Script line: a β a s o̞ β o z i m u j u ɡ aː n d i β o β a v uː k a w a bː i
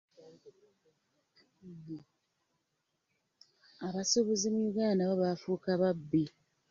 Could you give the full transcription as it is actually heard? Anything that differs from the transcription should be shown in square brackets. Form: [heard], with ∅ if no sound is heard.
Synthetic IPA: a β a s o̞ β o z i m u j u ɡ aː n d [a] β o β a [f] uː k a [β] a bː i